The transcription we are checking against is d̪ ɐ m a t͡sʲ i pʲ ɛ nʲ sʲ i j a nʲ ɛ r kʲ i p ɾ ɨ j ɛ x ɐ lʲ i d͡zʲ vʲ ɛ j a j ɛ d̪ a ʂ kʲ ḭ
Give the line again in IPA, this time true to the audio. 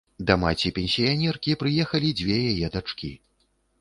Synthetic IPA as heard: d̪ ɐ m a t͡sʲ i pʲ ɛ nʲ sʲ i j a nʲ ɛ r kʲ i p ɾ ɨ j ɛ x ɐ lʲ i d͡zʲ vʲ ɛ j a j ɛ d̪ a t͡ʂ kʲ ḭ